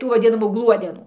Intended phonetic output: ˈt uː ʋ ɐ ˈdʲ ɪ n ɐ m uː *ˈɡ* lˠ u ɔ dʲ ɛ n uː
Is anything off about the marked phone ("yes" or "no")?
no